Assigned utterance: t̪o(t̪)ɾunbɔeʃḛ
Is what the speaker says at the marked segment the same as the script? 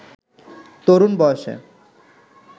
no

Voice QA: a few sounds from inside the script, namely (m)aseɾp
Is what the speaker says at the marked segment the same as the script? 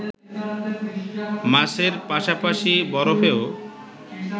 yes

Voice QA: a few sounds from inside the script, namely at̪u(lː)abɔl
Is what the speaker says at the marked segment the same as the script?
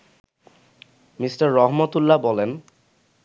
yes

